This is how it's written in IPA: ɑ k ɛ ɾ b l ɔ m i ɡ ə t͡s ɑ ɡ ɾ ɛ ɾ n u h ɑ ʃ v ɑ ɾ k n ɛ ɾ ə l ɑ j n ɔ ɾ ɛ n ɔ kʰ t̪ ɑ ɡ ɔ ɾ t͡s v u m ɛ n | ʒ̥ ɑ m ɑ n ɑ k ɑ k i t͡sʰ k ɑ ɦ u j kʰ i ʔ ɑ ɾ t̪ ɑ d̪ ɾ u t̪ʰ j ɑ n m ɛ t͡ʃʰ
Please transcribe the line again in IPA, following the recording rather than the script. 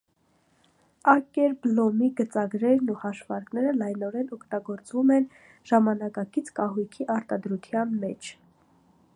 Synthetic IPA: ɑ k ɛ ɾ b l ɔ m i ɡ ə t͡s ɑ ɡ ɾ ɛ ɾ n u h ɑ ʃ v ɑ ɾ k n ɛ ɾ ə l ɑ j n ɔ ɾ ɛ n ɔ kʰ t̪ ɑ ɡ ɔ ɾ t͡s v u m ɛ n | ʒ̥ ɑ m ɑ n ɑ k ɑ k i t͡sʰ k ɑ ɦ u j kʰ i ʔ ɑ ɾ t̪ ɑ d̪ ɾ u t̪ʰ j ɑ n m ɛ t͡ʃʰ